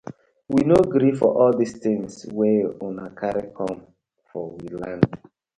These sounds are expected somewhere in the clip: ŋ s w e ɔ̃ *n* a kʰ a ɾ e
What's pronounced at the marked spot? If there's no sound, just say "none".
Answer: n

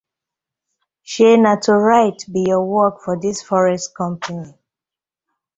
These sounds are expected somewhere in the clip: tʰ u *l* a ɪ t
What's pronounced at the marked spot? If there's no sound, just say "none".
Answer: ɹ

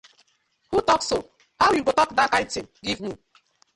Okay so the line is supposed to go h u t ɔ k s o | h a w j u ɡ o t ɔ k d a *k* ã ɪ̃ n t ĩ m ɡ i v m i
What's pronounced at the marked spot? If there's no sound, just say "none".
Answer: k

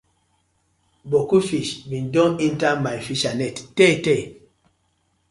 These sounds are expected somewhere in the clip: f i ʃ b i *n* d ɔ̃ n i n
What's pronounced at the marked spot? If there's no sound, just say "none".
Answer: n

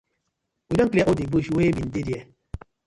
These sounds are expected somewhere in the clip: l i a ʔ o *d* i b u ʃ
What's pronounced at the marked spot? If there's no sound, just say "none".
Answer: d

